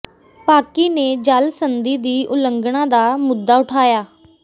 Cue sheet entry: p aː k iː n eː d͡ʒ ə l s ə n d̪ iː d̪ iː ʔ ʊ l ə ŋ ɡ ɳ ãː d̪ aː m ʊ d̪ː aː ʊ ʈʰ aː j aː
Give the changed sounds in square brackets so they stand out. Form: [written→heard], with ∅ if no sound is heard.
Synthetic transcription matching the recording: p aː k iː n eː d͡ʒ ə l s ə n d̪ iː d̪ iː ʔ ʊ l ə ŋ ɡ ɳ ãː d̪ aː m ʊ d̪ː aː ʊ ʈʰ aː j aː

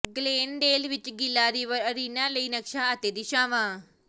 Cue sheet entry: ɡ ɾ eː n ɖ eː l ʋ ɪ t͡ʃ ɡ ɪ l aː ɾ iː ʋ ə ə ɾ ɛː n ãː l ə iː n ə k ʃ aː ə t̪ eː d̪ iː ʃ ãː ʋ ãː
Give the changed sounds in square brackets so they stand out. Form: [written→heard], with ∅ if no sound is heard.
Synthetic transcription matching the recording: ɡ [ɾ→l] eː n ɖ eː l ʋ ɪ t͡ʃ ɡ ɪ l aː ɾ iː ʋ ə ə ɾ [ɛː→iː] n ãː l ə iː n ə k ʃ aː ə t̪ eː d̪ iː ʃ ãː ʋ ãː

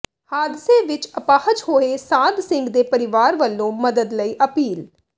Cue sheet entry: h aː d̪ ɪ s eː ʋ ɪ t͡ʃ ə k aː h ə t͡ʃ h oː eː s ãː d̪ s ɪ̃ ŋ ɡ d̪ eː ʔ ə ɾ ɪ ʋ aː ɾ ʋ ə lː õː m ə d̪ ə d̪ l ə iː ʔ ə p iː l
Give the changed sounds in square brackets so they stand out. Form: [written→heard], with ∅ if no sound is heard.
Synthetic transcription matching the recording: h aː d̪ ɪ s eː ʋ ɪ t͡ʃ ə [k→p] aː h ə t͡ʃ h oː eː s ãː d̪ s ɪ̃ ŋ ɡ d̪ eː [ʔ→p] ə ɾ ɪ ʋ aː ɾ ʋ ə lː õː m ə d̪ ə d̪ l ə iː ʔ ə p iː l

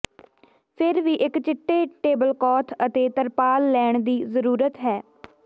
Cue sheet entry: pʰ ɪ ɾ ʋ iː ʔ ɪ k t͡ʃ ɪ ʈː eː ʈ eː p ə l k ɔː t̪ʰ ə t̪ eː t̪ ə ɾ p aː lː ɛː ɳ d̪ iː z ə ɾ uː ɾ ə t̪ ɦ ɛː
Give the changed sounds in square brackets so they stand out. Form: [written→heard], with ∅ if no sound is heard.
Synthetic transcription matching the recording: pʰ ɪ ɾ ʋ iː ʔ ɪ k t͡ʃ ɪ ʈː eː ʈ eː [p→b] ə l k ɔː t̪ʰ ə t̪ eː t̪ ə ɾ p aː lː ɛː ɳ d̪ iː z ə ɾ uː ɾ ə t̪ ɦ ɛː

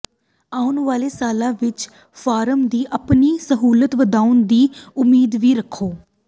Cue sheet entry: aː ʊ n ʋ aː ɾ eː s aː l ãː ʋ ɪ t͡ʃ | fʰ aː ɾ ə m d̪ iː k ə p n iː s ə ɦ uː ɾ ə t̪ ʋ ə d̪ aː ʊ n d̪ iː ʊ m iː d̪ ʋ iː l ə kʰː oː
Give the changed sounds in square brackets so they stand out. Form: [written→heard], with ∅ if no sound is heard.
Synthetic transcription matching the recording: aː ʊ n ʋ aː [ɾ→l] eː s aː l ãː ʋ ɪ t͡ʃ | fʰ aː ɾ ə m d̪ iː [k→ʔ] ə p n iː s ə ɦ uː [ɾ→l] ə t̪ ʋ ə d̪ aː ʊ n d̪ iː ʊ m iː d̪ ʋ iː [l→ɾ] ə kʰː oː

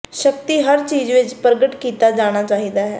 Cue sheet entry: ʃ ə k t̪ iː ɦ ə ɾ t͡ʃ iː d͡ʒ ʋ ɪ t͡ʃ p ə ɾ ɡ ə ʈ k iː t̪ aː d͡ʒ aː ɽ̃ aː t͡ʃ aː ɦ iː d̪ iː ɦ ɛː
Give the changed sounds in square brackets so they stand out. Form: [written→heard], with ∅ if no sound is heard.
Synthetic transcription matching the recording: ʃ ə k t̪ iː ɦ ə ɾ t͡ʃ iː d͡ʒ ʋ ɪ t͡ʃ p ə ɾ ɡ ə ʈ k iː t̪ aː d͡ʒ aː ɽ̃ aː t͡ʃ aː ɦ iː d̪ [iː→aː] ɦ ɛː

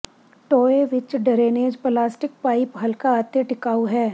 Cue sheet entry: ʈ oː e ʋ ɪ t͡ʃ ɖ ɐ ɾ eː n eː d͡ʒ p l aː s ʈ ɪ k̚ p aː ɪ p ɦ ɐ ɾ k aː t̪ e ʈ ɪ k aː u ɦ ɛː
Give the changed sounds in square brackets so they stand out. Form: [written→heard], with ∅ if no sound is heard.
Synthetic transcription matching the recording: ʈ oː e ʋ ɪ t͡ʃ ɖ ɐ ɾ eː n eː d͡ʒ p l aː s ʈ ɪ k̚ p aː ɪ p ɦ ɐ [ɾ→l] k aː t̪ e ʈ ɪ k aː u ɦ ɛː

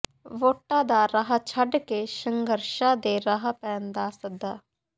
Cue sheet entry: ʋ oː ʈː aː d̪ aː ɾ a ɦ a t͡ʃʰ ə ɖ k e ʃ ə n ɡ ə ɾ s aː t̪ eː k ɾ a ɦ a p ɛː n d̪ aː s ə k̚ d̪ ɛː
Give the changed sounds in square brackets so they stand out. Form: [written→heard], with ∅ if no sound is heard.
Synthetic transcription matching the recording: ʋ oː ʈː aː d̪ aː ɾ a ɦ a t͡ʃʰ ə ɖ k e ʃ ə [n→ŋ] ɡ ə ɾ [s→ʃ] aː [t̪→d̪] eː [k→∅] ɾ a ɦ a p ɛː n d̪ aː s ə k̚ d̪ [ɛː→aː]

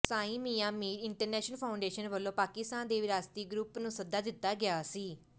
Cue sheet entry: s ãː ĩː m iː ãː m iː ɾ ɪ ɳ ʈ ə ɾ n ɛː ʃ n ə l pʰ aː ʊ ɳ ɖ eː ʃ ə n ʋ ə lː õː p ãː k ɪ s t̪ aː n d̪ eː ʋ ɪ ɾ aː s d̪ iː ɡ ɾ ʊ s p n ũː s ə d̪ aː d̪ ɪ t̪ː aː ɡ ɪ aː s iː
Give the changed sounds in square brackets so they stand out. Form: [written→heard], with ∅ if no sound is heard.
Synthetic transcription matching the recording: s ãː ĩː m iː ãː m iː ɾ ɪ ɳ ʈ ə ɾ n ɛː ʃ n ə l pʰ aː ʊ ɳ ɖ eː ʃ ə n ʋ ə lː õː p [ãː→aː] k ɪ s t̪ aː n d̪ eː ʋ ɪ ɾ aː s [d̪→t̪] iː ɡ ɾ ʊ [s→∅] p n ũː s ə d̪ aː d̪ ɪ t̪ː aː ɡ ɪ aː s iː

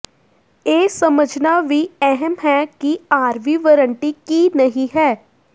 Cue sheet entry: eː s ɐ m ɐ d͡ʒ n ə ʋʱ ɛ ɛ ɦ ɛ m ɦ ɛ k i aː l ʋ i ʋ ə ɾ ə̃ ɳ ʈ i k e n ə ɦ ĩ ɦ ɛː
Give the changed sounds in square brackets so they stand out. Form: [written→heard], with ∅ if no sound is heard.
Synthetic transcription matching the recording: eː s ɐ m [ɐ→ə] d͡ʒ n [ə→a] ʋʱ [ɛ→i] ɛ ɦ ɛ m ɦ ɛ k i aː [l→ɾ] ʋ i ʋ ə ɾ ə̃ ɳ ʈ i k [e→i] n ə ɦ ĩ ɦ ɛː

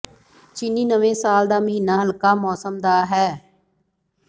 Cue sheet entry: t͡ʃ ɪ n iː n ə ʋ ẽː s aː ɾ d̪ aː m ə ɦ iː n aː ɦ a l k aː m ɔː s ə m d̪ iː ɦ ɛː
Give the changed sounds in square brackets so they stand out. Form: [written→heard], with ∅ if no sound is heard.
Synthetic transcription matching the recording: t͡ʃ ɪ n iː n ə ʋ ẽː s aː [ɾ→l] d̪ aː m ə ɦ iː n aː ɦ [a→ə] l k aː m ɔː s ə m d̪ [iː→aː] ɦ ɛː

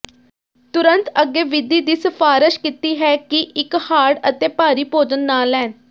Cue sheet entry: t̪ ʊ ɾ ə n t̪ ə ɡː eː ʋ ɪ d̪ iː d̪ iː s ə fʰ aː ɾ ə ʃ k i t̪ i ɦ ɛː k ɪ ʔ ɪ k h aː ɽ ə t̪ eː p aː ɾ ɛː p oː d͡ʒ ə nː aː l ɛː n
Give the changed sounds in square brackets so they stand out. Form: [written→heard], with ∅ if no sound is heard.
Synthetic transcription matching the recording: t̪ ʊ ɾ ə n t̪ ə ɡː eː ʋ ɪ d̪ iː d̪ iː s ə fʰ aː ɾ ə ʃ k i t̪ [i→iː] ɦ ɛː k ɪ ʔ ɪ k h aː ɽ ə t̪ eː p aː ɾ [ɛː→iː] p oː d͡ʒ ə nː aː l ɛː n

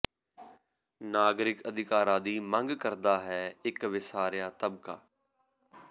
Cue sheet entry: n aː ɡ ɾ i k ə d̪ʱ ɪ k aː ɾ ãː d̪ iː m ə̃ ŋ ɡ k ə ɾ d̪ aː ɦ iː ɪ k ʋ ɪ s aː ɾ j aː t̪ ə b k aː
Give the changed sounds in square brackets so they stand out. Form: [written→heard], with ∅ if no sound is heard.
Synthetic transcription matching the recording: n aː ɡ ɾ [i→ɪ] k ə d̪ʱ ɪ k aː ɾ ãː d̪ iː m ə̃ ŋ ɡ k ə ɾ d̪ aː ɦ [iː→ɛː] ɪ k ʋ ɪ s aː ɾ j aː t̪ ə b k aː

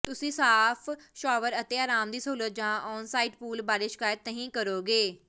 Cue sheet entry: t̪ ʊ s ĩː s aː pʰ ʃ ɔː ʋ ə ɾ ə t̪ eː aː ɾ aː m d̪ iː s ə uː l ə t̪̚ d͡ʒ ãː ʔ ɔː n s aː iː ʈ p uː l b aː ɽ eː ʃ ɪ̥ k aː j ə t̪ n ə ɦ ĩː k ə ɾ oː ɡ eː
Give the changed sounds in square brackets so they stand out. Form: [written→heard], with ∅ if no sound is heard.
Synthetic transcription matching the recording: t̪ ʊ s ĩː s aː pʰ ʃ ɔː ʋ ə ɾ ə t̪ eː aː ɾ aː m d̪ iː s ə uː l ə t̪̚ d͡ʒ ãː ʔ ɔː n s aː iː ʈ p uː l b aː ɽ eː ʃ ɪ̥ k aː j ə t̪ n ə ɦ ĩː k ə ɾ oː ɡ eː

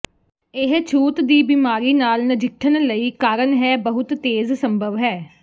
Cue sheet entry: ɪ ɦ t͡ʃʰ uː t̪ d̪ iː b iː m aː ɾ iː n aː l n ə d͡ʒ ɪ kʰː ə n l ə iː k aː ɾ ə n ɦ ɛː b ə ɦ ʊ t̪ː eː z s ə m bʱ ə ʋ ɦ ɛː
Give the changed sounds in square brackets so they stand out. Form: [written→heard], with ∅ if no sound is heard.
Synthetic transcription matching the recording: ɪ ɦ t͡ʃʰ uː t̪ d̪ iː b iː m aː ɾ iː n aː l n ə d͡ʒ ɪ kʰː ə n l ə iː k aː ɾ ə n ɦ ɛː b ə ɦ ʊ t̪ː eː z s ə m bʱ ə ʋ ɦ ɛː

